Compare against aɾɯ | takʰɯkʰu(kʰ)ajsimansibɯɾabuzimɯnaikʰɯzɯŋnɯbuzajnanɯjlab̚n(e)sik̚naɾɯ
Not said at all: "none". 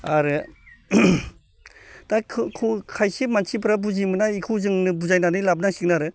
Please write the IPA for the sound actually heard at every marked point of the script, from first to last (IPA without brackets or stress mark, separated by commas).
kʰ, a